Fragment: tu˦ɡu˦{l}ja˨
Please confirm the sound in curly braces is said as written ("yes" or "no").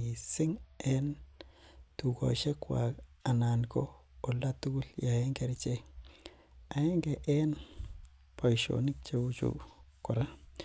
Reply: yes